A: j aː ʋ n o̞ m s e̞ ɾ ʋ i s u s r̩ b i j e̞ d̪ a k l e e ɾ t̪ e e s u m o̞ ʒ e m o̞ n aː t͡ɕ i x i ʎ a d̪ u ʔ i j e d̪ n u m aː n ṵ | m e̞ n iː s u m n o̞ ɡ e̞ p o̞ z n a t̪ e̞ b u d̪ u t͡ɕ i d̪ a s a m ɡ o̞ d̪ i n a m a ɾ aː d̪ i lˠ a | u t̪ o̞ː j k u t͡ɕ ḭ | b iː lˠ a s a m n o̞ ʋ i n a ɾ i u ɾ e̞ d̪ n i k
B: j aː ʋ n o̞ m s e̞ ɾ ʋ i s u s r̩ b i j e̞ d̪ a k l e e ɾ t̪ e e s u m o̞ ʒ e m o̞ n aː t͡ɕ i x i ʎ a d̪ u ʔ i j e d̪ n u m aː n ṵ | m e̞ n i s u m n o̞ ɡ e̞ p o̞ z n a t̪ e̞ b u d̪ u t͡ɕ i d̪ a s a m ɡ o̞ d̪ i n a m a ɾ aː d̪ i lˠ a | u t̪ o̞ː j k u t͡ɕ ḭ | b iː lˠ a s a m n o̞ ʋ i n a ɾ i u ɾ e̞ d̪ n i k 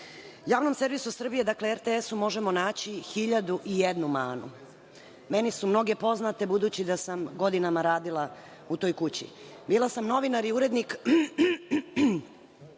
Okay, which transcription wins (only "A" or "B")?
B